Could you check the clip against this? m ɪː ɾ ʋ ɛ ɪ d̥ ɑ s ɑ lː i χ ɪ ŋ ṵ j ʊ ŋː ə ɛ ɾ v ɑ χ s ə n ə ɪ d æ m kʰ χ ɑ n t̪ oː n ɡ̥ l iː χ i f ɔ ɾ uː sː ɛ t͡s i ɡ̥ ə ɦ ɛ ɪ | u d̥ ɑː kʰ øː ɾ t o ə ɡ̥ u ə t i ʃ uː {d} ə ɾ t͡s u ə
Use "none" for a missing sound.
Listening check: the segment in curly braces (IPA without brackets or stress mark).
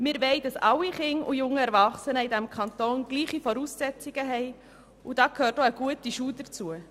d